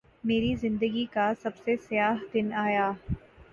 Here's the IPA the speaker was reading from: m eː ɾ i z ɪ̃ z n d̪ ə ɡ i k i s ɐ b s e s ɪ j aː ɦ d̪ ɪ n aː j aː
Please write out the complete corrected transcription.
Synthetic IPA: m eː ɾ i z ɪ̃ n d̪ ə ɡ i k a s ɐ b s e s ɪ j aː ɦ d̪ ɪ n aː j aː